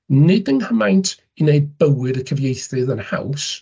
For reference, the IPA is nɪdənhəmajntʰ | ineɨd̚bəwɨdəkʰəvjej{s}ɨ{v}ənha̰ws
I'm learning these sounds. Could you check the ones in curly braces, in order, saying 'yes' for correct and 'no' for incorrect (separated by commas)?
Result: no, no